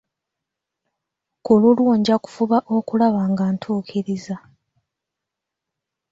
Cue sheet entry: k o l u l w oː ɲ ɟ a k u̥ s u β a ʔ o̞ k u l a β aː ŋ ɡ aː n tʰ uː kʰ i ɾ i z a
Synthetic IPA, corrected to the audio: k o l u l w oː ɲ ɟ a k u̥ f u β a ʔ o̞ k u l a β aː ŋ ɡ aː n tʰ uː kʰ i ɾ i z a